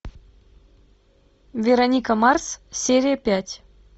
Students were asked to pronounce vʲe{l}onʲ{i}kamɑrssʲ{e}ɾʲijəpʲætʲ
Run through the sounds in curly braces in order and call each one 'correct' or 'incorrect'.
incorrect: ɾ, correct, correct

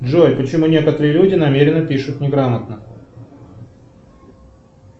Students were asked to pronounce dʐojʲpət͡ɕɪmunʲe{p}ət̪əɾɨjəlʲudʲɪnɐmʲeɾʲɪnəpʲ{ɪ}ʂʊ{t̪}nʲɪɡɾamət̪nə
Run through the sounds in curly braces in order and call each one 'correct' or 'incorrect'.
incorrect: k, incorrect: i, correct

